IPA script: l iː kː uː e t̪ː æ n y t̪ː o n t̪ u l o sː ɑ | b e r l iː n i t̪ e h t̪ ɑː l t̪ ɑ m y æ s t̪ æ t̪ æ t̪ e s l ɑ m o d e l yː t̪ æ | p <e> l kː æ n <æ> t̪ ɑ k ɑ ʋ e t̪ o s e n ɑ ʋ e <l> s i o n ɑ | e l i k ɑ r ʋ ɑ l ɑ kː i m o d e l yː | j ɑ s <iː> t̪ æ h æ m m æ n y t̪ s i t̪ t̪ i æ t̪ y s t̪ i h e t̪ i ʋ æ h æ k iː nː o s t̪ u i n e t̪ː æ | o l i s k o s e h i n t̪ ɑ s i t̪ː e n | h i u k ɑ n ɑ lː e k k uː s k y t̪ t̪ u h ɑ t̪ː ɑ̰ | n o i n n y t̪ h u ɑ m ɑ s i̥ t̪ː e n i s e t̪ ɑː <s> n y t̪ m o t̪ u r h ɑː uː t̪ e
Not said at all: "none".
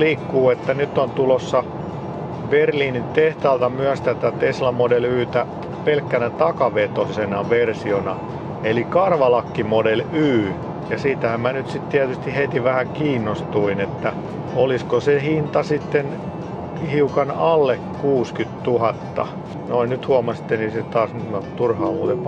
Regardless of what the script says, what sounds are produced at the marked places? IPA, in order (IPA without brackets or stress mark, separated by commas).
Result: e, æ, r, iː, s